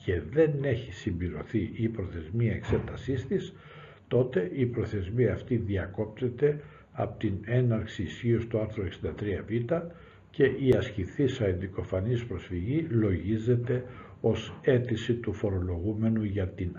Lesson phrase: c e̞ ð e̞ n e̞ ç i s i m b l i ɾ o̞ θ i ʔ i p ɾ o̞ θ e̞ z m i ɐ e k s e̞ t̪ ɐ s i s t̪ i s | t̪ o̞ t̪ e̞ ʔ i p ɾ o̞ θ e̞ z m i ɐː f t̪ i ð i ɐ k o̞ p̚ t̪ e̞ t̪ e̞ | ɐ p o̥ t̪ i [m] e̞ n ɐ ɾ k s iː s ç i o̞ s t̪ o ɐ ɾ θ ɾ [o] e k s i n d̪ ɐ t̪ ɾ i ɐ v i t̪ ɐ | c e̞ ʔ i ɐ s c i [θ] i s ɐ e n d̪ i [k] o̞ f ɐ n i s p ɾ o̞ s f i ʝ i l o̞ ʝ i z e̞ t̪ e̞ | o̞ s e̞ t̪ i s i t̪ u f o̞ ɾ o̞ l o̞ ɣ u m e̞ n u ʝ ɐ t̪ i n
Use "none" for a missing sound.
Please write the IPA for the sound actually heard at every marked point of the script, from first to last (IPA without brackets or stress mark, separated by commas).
n, o, θ, k